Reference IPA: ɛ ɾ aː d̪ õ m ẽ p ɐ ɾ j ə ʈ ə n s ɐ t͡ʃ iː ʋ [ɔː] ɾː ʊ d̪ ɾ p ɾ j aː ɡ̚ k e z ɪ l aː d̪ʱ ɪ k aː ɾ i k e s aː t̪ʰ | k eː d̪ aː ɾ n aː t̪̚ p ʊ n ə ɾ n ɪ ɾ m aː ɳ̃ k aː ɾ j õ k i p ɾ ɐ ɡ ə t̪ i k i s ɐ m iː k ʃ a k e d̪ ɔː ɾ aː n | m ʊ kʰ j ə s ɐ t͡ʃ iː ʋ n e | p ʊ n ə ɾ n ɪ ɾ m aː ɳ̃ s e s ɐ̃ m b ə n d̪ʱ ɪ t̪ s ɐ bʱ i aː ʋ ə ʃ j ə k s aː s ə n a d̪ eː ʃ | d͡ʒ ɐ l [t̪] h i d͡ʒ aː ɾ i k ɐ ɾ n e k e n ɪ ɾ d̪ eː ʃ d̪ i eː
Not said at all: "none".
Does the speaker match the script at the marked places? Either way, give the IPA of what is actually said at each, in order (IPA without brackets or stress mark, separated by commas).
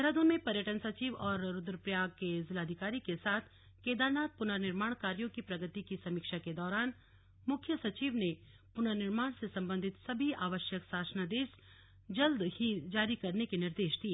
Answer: ɔː, d̪